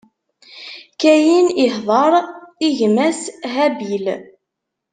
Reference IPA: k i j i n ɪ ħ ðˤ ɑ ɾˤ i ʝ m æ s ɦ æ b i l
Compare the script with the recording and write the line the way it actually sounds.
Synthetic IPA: k æ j i n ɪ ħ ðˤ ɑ ɾˤ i ʝ m æ s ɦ æ b i l